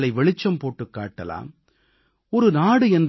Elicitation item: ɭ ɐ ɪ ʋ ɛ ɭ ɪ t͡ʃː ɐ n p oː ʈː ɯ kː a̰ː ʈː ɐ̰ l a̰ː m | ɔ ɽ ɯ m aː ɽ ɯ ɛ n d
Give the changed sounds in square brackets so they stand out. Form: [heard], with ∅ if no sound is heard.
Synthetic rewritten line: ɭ ɐ ɪ ʋ ɛ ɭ ɪ t͡ʃː ɐ [m] p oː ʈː ɯ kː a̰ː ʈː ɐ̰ l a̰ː m | ɔ [ɾ] ɯ [n] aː ɽ ɯ ɛ n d